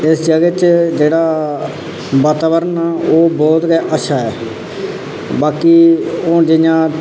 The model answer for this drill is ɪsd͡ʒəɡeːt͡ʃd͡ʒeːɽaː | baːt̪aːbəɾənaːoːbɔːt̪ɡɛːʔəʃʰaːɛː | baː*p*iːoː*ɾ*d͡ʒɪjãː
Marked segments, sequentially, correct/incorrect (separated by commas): incorrect, incorrect